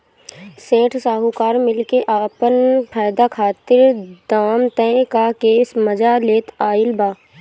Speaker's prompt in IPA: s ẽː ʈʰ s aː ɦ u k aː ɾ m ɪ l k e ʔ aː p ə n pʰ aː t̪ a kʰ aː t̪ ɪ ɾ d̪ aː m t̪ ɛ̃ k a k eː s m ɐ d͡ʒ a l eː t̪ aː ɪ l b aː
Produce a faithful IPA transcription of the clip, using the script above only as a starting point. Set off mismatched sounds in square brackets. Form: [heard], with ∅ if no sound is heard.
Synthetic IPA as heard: s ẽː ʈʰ s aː ɦ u k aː ɾ m ɪ l k e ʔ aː p ə n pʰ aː [d̪] a kʰ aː t̪ ɪ ɾ d̪ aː m t̪ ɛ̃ k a k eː s m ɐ d͡ʒ a l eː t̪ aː ɪ l b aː